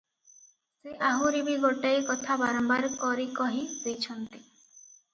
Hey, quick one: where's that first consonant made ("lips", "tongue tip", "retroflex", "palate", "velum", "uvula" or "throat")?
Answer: tongue tip